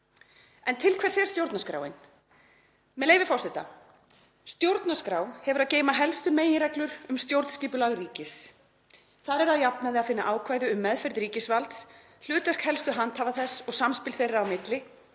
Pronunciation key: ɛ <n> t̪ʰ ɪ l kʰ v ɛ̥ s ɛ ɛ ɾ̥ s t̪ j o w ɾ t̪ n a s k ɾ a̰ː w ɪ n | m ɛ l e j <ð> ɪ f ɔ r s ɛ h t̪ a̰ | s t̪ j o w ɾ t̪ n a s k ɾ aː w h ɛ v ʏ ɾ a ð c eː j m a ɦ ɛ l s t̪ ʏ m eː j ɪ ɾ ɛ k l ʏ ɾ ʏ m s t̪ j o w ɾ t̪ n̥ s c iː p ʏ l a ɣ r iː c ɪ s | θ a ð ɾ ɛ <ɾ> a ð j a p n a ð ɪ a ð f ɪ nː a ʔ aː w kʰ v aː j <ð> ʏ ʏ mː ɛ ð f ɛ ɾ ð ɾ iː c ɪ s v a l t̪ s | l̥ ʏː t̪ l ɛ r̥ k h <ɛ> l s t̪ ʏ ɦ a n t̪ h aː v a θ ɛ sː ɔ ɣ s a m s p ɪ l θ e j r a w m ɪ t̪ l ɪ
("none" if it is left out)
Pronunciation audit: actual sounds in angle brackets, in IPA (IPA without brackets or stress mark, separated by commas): n, v, ɾ, ð, ɛ